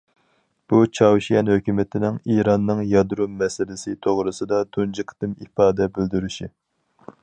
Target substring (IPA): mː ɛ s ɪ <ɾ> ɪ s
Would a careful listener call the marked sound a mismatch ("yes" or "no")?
yes